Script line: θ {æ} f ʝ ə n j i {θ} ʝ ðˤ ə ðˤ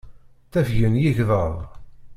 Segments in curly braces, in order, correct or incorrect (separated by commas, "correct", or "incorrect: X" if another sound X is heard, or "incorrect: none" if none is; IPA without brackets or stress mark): correct, incorrect: none